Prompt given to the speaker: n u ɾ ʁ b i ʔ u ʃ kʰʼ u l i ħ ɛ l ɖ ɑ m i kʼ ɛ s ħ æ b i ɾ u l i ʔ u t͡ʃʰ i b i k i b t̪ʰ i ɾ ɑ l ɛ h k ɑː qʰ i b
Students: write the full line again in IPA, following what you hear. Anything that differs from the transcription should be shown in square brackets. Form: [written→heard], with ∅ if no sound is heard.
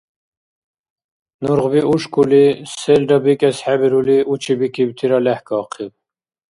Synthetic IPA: n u ɾ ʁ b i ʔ u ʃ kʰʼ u l i [ħ→s] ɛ l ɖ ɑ [m→b] i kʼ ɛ s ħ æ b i ɾ u l i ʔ u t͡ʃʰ i b i k i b t̪ʰ i ɾ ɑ l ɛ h k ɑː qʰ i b